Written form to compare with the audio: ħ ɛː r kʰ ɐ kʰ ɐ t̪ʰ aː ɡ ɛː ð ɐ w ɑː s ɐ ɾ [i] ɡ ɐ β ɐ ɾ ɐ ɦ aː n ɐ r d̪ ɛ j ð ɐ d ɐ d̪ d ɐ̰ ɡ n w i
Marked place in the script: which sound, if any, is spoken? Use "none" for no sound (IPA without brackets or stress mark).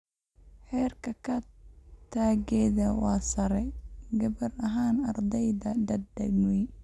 ɛ